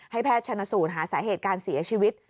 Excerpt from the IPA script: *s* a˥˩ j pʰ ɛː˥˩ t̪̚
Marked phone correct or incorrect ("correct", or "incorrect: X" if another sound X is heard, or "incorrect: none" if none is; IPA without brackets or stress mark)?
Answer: incorrect: h